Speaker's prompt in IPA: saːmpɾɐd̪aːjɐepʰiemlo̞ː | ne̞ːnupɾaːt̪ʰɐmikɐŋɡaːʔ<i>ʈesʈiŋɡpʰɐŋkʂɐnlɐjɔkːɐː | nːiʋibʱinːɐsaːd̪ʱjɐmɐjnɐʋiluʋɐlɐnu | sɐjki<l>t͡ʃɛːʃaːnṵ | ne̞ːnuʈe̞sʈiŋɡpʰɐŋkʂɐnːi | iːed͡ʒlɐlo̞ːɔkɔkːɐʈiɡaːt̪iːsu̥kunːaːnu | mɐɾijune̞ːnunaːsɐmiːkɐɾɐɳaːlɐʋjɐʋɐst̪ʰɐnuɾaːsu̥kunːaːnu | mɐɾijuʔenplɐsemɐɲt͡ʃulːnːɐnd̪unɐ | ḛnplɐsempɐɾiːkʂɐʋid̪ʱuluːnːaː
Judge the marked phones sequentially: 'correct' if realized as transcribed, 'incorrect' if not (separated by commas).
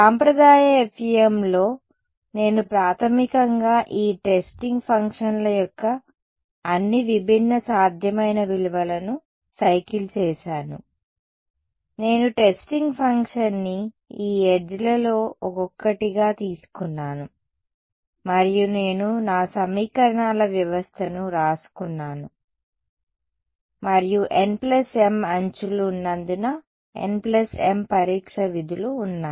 incorrect, correct